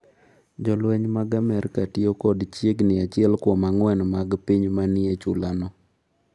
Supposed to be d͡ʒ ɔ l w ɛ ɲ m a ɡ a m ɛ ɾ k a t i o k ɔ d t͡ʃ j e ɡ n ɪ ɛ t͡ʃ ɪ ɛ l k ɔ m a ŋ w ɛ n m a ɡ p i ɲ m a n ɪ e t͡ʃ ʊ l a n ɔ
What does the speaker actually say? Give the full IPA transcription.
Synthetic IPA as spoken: d͡ʒ ɔ l w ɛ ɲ m a ɡ a m ɛ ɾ k a t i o k ɔ d t͡ʃ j e ɡ n ɪ a t͡ʃ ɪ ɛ l k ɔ m a ŋ w ɛ n m a ɡ p i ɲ m a n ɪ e t͡ʃ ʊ l a n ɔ